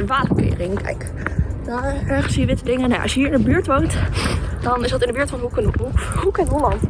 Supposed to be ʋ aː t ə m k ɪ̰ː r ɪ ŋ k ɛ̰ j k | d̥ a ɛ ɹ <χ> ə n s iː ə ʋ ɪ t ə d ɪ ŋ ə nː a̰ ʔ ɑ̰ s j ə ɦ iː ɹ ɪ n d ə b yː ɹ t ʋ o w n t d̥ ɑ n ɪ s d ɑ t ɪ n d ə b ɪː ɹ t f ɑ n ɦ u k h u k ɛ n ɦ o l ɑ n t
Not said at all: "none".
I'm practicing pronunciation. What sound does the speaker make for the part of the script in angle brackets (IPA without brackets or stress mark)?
χ